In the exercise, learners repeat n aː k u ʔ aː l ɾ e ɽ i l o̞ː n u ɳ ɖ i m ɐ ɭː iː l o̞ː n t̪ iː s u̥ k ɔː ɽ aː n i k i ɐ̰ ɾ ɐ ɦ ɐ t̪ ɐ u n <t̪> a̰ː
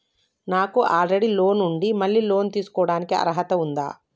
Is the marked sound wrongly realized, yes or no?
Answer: yes